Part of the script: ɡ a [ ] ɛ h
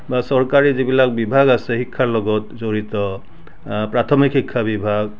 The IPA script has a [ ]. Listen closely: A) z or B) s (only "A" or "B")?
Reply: B